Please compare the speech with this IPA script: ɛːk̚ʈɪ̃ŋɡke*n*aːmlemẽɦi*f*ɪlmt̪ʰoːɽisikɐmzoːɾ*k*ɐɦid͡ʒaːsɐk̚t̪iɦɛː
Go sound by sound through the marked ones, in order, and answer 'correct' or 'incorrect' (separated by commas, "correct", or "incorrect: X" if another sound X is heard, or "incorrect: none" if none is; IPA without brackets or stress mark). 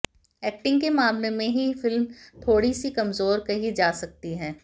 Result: incorrect: m, correct, correct